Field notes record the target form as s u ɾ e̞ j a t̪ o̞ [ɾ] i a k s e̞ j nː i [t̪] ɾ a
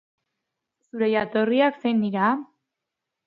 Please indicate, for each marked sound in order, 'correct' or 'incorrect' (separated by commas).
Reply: incorrect, incorrect